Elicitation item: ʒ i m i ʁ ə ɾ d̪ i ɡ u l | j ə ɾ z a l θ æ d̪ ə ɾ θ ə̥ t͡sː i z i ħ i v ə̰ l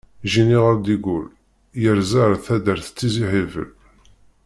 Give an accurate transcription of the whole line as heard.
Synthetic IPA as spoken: ʒ i n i ʁ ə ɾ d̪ i ɡ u l | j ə ɾ z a ɾ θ æ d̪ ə ɾ θ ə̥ t͡sː i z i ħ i v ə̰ l

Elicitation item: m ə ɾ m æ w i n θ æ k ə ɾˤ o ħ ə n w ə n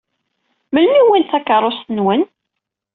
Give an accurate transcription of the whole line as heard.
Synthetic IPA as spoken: m ə l m i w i n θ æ k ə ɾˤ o s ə n w ə n

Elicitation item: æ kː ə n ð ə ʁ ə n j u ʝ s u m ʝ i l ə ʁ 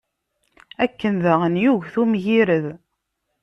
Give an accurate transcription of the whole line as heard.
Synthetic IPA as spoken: æ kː ə n ð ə ʁ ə n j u ʝ θ u m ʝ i ɾ ə ð

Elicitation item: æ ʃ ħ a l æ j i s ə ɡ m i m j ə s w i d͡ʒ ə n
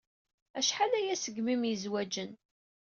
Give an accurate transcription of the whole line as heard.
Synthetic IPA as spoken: æ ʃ ħ a l æ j æ s ə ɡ m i m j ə z w æ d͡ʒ ə n

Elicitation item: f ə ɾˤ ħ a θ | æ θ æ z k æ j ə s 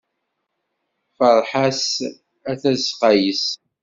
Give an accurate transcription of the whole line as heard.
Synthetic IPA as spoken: f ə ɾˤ ħ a s | æ θ æ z q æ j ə s

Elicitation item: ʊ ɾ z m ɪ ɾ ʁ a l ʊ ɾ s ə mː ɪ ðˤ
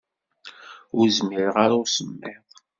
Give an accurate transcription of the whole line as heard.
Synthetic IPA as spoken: ʊ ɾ z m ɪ ɾ ʁ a ɾ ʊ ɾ s ə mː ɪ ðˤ

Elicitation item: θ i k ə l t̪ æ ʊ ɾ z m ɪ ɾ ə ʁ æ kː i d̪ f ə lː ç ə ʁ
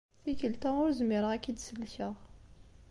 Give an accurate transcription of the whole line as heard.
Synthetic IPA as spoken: θ i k ə l t̪ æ ʊ ɾ z m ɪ ɾ ə ʁ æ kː i d̪ s ə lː ç ə ʁ

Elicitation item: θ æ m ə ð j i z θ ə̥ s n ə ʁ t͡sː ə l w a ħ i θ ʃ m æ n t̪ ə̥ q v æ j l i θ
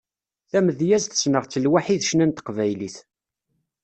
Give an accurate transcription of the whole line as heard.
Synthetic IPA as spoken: θ æ m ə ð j æ z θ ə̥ s n ə ʁ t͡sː ə l w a ħ i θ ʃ n æ n t̪ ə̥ q v æ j l i θ

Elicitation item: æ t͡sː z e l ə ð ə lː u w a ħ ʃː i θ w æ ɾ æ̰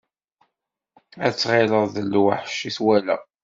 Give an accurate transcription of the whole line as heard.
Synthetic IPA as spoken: æ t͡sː ʁ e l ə ð ə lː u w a ħ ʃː i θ w æ l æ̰

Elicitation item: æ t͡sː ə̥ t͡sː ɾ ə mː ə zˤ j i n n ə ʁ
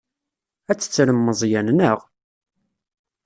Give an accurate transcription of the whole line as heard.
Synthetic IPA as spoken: æ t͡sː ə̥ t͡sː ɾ ə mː ə zˤ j æ n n ə ʁ

